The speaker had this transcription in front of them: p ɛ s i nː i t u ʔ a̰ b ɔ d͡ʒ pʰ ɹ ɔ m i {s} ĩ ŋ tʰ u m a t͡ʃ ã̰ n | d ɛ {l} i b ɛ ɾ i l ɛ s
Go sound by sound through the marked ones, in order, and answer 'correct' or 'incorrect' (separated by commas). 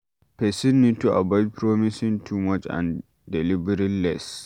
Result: correct, correct